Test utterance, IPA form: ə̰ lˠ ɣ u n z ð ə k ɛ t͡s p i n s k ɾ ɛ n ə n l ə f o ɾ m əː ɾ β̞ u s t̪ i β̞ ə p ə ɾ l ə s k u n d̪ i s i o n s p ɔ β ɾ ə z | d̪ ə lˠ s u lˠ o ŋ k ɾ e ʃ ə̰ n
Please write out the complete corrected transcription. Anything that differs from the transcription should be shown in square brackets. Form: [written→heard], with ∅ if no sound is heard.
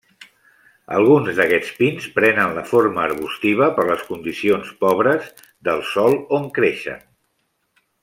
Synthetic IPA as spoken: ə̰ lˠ ɣ u n z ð ə k ɛ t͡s p i n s [k→p] ɾ ɛ n ə n l ə f o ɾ m əː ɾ β̞ u s t̪ i β̞ ə p ə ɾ l ə s k u n d̪ i s i o n s p ɔ β ɾ ə z | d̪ ə lˠ s [u→ɔ] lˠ o ŋ k ɾ e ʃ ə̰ n